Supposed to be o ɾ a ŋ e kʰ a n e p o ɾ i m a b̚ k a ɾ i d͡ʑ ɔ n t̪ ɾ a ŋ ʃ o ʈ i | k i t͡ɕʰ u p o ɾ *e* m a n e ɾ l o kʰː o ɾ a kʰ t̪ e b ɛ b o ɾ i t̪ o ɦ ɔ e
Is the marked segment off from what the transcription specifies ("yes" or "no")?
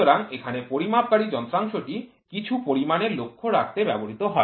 yes